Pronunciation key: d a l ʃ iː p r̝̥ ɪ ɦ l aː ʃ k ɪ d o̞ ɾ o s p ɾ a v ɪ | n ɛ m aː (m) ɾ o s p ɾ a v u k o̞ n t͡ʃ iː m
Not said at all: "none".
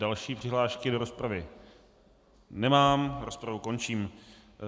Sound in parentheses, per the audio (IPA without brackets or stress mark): m